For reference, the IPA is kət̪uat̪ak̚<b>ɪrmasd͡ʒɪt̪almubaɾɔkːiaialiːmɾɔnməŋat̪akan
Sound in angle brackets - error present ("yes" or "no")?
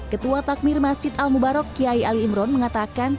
yes